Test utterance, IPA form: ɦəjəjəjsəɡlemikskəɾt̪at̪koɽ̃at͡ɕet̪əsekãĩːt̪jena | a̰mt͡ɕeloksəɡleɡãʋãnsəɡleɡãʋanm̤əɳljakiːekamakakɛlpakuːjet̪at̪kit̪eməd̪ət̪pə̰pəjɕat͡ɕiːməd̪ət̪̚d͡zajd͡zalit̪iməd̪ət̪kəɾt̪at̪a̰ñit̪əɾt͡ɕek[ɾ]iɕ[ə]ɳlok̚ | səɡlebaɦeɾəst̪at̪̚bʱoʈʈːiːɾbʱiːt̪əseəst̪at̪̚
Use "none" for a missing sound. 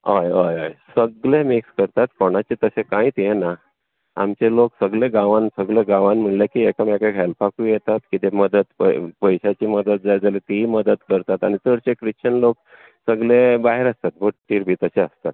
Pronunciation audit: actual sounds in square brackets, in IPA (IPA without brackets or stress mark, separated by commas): ɾ, ə